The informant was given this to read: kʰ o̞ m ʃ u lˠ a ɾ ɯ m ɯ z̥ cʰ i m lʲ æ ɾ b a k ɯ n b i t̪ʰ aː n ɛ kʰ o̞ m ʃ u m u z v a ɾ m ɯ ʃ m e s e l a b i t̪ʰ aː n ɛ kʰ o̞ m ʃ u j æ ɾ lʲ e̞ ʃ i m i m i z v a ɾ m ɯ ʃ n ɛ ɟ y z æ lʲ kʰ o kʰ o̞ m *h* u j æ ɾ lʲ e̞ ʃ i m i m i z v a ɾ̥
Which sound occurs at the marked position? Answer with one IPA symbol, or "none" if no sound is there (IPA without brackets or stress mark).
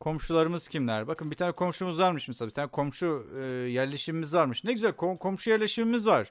ʃ